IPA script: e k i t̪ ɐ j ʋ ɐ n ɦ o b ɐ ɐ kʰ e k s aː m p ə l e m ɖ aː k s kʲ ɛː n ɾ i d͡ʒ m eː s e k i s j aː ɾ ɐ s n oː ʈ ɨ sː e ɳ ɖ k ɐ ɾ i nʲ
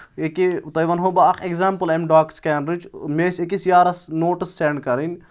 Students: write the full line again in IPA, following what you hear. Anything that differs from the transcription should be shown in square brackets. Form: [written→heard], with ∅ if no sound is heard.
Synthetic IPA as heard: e k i t̪ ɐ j ʋ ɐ n ɦ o b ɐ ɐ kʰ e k [s→z] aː m p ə l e m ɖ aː k s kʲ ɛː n ɾ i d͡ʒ m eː s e k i s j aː ɾ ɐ s n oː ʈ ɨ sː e ɳ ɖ k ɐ ɾ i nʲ

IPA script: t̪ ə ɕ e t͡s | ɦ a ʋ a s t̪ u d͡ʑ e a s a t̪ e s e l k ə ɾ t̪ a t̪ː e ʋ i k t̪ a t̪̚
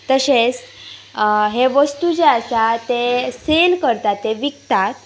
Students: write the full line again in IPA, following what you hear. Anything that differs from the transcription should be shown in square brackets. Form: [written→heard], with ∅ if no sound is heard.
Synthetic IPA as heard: t̪ ə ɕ e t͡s | ɦ [a→e] ʋ [a→ə] s t̪ u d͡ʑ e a s a t̪ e s e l k ə ɾ t̪ a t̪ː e ʋ i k t̪ a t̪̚

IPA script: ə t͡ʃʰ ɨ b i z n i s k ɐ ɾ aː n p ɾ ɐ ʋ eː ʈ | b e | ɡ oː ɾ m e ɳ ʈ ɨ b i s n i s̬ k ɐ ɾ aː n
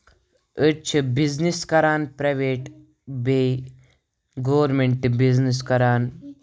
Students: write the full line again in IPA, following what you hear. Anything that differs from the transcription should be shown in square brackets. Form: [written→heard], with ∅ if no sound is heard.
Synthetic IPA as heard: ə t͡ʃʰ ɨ b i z n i s k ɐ ɾ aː n p ɾ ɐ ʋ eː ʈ | b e | ɡ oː ɾ m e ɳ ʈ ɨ b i [s→z] n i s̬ k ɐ ɾ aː n

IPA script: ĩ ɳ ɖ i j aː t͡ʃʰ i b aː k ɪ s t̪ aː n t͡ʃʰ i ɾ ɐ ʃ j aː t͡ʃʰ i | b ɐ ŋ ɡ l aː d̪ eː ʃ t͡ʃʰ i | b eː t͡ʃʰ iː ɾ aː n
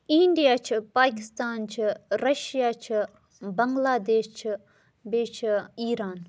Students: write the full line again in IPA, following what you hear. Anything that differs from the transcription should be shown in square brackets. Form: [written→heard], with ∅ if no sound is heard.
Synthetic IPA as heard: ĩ ɳ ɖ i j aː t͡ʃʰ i [b→p] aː k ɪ s t̪ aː n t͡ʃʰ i ɾ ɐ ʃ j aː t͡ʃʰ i | b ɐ ŋ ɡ l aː d̪ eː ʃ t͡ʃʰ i | b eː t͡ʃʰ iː ɾ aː n

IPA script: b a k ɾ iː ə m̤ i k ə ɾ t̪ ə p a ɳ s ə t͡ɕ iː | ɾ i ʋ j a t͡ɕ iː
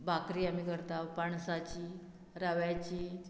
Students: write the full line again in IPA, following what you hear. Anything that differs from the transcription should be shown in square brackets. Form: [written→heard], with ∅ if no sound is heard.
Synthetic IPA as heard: b a k ɾ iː [ə→a] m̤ i k ə ɾ t̪ [ə→a] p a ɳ s [ə→a] t͡ɕ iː | ɾ [i→a] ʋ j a t͡ɕ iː

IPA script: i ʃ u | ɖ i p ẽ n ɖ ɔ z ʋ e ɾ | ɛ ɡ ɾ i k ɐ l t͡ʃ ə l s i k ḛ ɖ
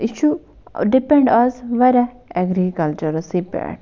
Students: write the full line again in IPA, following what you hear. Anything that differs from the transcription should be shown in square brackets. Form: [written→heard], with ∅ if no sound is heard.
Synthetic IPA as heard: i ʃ u | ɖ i p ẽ [n→ɳ] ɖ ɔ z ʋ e ɾ | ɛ ɡ ɾ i k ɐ l t͡ʃ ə [l→ɾ] s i [k→p] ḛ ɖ

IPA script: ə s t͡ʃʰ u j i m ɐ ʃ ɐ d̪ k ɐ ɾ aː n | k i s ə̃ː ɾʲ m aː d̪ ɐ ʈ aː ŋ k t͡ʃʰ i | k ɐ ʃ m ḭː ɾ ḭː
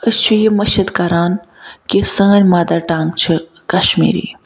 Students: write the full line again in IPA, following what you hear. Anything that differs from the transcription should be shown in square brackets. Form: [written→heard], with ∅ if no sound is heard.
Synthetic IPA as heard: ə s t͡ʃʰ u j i m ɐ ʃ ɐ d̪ k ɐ ɾ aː n | k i s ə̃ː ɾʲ m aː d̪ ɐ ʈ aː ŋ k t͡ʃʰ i | k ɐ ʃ m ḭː ɾ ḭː

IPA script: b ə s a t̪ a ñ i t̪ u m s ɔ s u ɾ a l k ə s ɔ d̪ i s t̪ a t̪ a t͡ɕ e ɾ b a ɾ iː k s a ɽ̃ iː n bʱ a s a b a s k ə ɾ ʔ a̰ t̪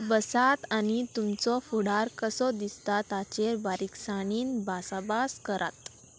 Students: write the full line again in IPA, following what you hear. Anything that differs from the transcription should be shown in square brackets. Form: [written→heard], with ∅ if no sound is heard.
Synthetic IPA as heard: b ə s a t̪ a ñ i t̪ u m [s→t͡s] ɔ [s→f] u [ɾ→ɽ] a [l→ɾ] k ə s ɔ d̪ i s t̪ a t̪ a t͡ɕ e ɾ b a ɾ [iː→i] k s a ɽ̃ iː n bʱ a s a b a s k ə ɾ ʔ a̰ t̪

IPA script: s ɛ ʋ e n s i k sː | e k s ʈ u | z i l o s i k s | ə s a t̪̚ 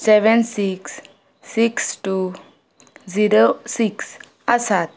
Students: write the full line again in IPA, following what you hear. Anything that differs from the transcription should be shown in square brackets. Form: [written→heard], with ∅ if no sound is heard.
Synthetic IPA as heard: s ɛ ʋ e n s i k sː | [e→i] k s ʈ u | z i [l→ɾ] o s i k s | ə s a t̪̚

